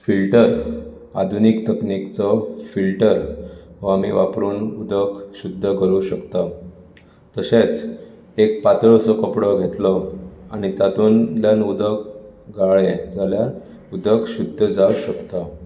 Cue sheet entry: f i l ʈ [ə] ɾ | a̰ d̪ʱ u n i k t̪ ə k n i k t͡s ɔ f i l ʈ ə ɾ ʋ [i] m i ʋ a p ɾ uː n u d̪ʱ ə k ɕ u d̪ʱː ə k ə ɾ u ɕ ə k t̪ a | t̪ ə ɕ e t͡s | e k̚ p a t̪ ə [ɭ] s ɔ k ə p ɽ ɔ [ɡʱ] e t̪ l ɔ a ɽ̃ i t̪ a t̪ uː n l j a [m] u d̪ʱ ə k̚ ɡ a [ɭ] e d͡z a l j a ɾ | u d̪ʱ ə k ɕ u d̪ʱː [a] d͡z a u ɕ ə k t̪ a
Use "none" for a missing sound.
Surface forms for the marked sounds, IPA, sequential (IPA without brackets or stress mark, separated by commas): ə, a, ɭ, ɡʱ, n, ɭ, ə